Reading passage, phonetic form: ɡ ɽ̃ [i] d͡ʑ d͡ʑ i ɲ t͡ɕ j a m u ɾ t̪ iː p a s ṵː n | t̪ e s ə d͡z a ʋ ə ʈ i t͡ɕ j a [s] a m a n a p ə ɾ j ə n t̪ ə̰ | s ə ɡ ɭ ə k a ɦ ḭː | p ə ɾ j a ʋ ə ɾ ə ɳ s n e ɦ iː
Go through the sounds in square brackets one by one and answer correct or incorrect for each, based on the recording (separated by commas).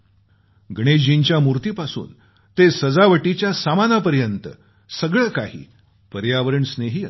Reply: incorrect, correct